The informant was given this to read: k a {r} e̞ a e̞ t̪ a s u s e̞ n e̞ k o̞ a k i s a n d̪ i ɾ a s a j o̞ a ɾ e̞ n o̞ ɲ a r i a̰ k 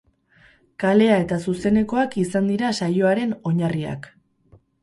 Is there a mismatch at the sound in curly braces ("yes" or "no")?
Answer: yes